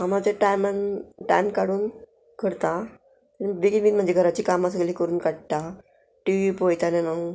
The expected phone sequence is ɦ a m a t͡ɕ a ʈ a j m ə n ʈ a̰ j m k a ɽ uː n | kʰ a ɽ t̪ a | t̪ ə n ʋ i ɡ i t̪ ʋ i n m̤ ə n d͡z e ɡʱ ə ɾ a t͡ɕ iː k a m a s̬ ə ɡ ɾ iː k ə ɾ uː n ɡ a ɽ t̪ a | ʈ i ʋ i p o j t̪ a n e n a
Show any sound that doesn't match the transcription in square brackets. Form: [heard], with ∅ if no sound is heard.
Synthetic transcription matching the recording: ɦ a m a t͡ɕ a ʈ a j m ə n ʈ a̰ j m k a ɽ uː n | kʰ [ə] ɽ t̪ a | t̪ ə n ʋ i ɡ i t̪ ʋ i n m̤ ə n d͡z e ɡʱ ə ɾ a t͡ɕ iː k a m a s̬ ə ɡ [l] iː k ə ɾ uː n [k] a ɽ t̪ a | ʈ i ʋ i p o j t̪ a n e n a